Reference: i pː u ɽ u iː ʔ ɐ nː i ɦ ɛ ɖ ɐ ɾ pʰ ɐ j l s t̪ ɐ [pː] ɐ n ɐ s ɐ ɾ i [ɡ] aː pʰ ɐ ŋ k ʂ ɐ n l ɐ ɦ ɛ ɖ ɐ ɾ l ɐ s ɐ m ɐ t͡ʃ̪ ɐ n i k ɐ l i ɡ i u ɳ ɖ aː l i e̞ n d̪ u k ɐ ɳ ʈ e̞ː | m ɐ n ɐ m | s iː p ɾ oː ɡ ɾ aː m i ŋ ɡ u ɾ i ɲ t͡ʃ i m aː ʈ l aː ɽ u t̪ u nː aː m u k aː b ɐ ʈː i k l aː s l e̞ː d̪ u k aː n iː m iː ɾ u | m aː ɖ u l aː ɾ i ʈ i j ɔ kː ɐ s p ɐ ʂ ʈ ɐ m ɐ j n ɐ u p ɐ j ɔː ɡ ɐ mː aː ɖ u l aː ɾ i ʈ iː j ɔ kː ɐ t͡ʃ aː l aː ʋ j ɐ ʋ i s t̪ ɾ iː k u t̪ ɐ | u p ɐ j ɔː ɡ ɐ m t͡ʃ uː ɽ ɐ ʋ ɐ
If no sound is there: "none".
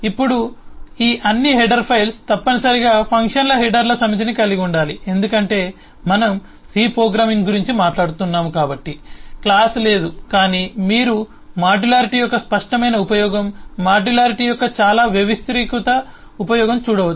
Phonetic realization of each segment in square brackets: pː, ɡ

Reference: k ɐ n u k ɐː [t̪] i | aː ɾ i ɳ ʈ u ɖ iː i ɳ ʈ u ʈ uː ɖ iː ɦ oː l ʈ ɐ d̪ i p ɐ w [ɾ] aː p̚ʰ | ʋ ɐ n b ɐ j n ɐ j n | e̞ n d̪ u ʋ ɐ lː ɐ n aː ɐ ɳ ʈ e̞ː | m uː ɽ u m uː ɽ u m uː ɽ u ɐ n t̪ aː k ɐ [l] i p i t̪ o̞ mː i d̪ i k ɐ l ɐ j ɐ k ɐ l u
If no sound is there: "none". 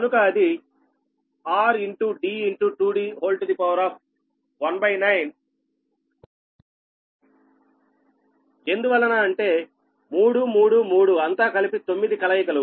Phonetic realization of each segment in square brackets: d̪, ɾ, l

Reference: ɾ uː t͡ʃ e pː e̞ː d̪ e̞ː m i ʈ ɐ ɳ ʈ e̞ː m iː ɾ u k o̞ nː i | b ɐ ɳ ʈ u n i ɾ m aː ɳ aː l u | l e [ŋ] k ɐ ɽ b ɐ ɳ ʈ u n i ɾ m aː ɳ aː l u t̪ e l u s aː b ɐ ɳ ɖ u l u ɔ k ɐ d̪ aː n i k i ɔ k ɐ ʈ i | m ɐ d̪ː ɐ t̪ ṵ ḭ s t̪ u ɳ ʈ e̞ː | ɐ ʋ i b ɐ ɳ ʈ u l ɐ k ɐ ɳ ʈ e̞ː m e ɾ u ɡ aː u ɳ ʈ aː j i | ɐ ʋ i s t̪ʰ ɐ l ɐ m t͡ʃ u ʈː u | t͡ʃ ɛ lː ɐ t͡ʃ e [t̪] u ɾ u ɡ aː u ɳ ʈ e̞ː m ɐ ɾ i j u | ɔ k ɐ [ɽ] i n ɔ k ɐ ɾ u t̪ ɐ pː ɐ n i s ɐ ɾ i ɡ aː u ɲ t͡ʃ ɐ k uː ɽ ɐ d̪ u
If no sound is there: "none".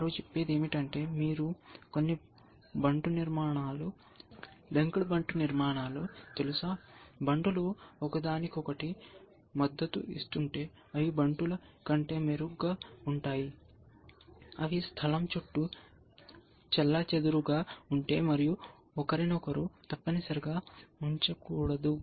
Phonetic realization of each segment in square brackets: ŋ, d̪, ɾ

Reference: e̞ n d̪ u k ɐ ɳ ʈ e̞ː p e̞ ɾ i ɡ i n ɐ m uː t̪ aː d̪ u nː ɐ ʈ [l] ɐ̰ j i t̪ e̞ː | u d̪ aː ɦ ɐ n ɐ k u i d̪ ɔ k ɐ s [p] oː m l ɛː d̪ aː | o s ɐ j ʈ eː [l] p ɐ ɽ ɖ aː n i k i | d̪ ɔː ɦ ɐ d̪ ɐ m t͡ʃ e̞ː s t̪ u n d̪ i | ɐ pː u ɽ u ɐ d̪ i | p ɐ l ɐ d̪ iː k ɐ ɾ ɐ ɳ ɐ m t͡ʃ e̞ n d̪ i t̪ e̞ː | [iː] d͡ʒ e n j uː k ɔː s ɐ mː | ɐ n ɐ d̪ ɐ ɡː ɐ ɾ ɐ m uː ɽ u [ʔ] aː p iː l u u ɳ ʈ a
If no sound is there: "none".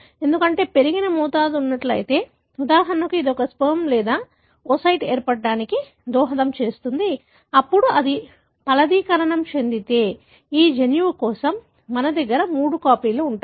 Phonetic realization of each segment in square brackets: l, p, ɾ, iː, k

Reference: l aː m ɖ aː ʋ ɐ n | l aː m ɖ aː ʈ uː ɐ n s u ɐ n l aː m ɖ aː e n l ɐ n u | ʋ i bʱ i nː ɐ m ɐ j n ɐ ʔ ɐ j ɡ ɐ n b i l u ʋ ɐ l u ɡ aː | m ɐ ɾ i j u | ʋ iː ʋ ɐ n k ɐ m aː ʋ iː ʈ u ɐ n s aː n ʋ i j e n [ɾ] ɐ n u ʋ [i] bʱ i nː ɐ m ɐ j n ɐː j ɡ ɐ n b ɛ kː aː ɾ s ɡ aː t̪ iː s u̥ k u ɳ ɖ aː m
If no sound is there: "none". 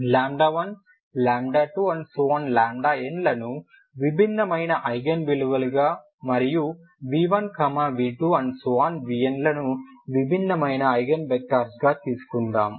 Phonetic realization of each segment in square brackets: l, i

